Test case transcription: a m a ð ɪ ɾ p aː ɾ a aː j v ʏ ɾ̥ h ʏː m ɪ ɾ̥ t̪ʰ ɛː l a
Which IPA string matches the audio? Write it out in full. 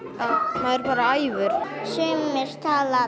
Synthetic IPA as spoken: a m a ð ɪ ɾ p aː ɾ a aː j v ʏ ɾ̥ s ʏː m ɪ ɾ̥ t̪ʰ aː l a